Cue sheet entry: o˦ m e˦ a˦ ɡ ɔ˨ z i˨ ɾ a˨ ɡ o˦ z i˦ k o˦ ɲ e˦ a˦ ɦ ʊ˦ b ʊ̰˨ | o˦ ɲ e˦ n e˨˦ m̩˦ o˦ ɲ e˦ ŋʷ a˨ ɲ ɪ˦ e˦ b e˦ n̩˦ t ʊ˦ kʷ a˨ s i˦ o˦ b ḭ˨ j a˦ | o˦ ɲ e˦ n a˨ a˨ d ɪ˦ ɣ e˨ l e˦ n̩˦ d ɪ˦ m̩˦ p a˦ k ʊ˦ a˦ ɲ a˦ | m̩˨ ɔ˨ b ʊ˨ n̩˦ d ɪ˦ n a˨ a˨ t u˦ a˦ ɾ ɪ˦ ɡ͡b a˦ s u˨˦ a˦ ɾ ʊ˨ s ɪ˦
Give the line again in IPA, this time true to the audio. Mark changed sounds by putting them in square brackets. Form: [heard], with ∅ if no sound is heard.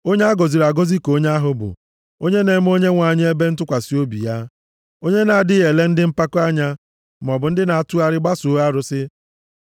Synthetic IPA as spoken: o˦ [ɲ] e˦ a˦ ɡ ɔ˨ z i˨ ɾ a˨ ɡ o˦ z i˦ k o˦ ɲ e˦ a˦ ɦ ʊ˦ b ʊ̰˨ | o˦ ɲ e˦ n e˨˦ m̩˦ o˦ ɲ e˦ ŋʷ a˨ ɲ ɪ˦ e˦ b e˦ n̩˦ t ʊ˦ kʷ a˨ s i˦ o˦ b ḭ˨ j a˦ | o˦ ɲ e˦ n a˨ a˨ d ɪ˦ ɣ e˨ l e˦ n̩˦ d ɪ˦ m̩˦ p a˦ k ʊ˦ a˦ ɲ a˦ | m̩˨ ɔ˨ b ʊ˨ n̩˦ d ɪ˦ n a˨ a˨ t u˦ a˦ ɾ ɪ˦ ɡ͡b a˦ s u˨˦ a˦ ɾ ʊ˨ s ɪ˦